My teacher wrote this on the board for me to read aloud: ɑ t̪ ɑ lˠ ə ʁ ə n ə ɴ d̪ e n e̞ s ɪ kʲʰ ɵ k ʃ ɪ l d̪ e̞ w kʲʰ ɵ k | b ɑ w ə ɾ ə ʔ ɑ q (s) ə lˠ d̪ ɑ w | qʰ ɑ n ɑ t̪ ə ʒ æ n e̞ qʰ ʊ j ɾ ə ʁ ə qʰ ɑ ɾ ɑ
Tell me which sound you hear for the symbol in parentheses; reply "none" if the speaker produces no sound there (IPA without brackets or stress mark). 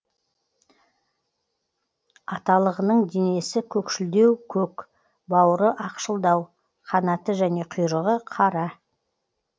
ʃ